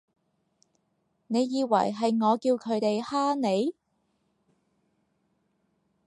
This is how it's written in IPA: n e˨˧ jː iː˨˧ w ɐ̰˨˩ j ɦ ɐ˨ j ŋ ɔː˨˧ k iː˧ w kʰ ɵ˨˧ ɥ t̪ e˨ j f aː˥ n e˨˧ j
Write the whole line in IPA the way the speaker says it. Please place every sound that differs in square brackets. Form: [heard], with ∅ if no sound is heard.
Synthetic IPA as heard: n e˨˧ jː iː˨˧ w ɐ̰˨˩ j ɦ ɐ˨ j ŋ ɔː˨˧ k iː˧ w kʰ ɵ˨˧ ɥ t̪ e˨ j [h] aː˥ n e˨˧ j